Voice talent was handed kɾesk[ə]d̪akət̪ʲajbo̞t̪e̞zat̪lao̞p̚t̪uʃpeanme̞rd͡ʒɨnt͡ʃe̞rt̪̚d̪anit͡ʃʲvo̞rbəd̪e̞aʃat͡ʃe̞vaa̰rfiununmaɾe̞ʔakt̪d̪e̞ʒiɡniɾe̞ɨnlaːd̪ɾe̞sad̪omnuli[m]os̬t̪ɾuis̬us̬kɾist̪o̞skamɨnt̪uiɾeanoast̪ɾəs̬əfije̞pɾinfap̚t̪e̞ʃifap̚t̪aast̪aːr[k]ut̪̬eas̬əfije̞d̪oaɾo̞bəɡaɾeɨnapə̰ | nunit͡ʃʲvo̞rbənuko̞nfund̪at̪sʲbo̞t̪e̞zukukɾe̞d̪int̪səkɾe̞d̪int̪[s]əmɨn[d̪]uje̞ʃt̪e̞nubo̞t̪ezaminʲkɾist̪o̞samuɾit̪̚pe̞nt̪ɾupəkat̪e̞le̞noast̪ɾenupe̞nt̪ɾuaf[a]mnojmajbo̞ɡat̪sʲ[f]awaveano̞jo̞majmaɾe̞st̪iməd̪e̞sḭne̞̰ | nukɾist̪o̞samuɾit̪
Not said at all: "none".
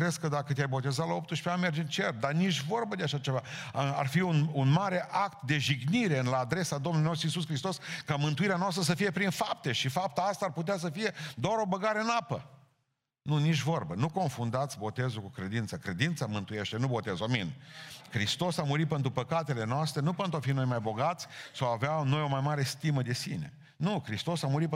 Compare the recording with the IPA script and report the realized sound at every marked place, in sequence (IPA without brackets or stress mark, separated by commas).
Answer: ə, n, p, s, t̪, i, s